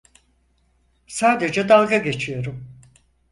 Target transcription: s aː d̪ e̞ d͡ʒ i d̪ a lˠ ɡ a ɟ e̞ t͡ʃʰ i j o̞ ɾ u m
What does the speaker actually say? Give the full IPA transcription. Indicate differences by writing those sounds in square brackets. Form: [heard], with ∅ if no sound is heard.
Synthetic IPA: s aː d̪ e̞ d͡ʒ [ɛ] d̪ a lˠ ɡ a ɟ e̞ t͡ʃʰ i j o̞ ɾ u m